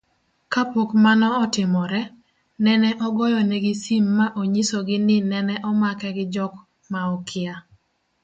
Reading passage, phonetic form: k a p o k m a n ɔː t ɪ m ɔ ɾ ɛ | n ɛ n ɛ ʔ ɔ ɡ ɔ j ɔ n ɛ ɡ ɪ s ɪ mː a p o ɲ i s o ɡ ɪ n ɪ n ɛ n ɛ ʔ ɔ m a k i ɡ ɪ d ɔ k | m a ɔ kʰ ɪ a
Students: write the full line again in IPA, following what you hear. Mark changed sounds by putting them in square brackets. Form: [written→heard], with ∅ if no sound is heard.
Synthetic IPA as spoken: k a p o k m a n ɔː t ɪ m ɔ ɾ ɛ | n ɛ n ɛ ʔ ɔ ɡ ɔ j ɔ n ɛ ɡ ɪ s [ɪ→i] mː a [p→ʔ] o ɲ i s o ɡ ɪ n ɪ n ɛ n ɛ ʔ ɔ m a k [i→ɛ] ɡ ɪ [d→d͡ʒ] ɔ k | m a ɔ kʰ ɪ a